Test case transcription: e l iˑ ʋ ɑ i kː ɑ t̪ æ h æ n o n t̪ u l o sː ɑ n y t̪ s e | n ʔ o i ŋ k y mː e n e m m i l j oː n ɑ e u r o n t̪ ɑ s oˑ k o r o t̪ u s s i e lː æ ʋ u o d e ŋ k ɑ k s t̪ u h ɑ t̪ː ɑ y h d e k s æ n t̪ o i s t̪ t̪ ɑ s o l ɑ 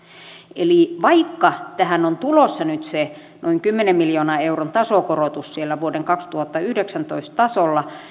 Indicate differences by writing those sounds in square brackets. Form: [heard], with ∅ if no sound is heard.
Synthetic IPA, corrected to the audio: e l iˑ ʋ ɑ i kː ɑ t̪ æ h æ n o n t̪ u l o sː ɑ n y t̪ s e | n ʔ o i ŋ k y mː e n e m m i l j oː n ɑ e u r o n t̪ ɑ s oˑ k o r o t̪ u s s i e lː æ ʋ u o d e ŋ k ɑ k s t̪ u h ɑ t̪ː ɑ y h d e k s æ n t̪ o i s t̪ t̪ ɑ s o [lː] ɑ